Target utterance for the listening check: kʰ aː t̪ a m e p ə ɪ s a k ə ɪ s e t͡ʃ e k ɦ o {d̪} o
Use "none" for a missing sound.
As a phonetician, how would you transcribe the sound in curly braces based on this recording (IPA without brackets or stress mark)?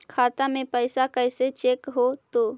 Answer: t̪